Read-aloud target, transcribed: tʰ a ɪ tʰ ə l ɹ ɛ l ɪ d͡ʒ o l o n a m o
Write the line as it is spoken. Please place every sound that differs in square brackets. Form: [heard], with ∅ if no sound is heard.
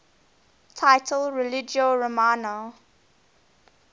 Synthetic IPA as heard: tʰ a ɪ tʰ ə l ɹ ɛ l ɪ d͡ʒ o [ɹ] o [m] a [n] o